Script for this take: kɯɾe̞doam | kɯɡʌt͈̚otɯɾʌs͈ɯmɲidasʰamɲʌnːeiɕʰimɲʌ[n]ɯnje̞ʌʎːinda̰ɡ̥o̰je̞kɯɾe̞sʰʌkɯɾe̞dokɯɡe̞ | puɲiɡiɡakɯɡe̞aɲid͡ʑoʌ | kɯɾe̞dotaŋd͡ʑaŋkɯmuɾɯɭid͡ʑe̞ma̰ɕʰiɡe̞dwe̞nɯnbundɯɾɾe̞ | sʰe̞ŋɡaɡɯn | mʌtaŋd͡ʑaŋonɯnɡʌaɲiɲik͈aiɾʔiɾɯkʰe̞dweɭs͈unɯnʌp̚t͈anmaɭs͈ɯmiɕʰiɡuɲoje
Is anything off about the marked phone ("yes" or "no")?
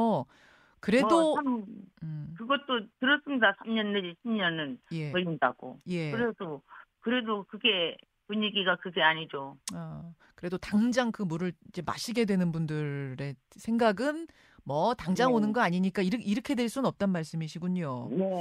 no